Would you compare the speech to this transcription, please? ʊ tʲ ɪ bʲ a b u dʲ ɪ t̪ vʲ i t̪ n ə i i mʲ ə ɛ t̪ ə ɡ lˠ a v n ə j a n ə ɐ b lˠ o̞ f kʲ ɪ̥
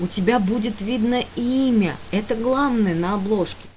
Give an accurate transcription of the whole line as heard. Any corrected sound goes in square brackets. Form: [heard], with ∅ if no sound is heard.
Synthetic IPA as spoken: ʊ tʲ ɪ bʲ a b u dʲ ɪ t̪ vʲ i [d̪] n ə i i mʲ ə ɛ t̪ ə ɡ lˠ a v n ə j [ə] n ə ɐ b lˠ o̞ [ʂ] kʲ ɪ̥